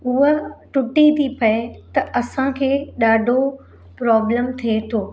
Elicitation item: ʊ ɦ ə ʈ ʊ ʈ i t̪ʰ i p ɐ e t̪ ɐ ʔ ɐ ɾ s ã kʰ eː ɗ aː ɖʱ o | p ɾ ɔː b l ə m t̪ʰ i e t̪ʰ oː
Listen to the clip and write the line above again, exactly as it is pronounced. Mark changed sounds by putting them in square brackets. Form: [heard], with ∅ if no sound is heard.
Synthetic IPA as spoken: ʊ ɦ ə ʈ ʊ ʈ i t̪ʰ i p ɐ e t̪ ɐ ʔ ɐ [∅] s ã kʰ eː ɗ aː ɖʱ o | p ɾ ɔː b l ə m t̪ʰ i e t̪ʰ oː